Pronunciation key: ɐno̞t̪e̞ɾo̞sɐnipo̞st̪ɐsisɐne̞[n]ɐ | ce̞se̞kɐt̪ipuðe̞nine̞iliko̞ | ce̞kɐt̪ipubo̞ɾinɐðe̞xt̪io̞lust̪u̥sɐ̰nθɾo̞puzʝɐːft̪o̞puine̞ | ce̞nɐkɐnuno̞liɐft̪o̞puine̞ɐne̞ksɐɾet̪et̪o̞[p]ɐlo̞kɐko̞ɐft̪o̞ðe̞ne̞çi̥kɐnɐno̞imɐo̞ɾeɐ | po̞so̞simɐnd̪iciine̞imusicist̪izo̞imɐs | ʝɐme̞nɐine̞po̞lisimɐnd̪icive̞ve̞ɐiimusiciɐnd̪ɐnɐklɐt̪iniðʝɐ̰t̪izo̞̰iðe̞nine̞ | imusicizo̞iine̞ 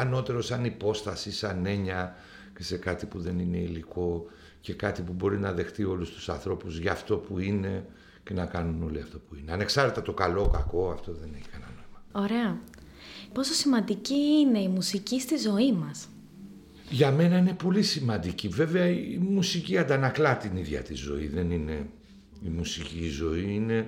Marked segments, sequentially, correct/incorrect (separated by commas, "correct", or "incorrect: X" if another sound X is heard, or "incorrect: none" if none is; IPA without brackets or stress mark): incorrect: ɲ, incorrect: k